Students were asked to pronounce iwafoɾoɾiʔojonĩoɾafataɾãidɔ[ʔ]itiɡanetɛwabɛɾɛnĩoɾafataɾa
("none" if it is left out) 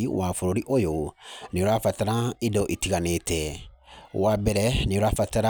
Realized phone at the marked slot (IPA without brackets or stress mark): ʔ